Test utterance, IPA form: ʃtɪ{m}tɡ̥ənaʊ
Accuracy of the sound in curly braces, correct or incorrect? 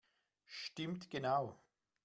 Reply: correct